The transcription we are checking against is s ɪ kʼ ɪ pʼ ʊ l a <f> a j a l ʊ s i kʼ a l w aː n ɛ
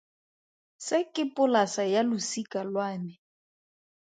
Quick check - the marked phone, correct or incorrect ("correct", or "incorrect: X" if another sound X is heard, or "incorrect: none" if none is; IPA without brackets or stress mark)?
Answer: incorrect: s